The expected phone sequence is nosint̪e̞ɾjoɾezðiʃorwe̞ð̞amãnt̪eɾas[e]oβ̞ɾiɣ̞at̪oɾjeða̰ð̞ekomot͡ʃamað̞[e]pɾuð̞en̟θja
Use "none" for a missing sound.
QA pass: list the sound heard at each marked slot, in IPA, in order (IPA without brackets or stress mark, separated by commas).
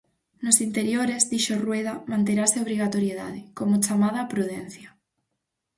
e, a